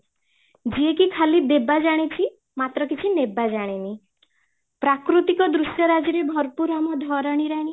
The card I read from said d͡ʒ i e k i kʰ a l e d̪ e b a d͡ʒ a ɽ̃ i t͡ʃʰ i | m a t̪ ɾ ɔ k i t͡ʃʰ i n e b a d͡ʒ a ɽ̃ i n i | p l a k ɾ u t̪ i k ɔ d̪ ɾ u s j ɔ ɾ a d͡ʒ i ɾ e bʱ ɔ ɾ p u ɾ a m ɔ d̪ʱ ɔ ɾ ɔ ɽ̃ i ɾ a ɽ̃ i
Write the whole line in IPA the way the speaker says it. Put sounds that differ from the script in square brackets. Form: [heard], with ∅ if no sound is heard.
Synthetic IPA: d͡ʒ i e k i kʰ a l [i] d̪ e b a d͡ʒ a ɽ̃ i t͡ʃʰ i | m a t̪ ɾ ɔ k i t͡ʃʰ i n e b a d͡ʒ a ɽ̃ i n i | p [ɾ] a k ɾ u t̪ i k ɔ d̪ ɾ u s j ɔ ɾ a d͡ʒ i ɾ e bʱ ɔ ɾ p u ɾ a m ɔ d̪ʱ ɔ ɾ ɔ ɽ̃ i ɾ a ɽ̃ i